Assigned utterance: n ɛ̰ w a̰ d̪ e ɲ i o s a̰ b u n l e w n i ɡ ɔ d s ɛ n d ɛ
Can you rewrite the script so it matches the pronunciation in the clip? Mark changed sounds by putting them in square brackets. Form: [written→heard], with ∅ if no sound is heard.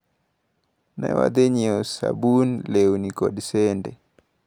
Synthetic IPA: n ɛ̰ w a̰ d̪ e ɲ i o s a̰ b u n l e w n i [ɡ→k] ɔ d s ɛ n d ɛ